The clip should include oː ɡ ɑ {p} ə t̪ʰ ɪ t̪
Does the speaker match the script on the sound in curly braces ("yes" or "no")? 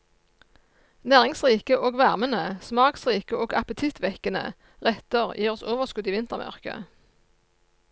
yes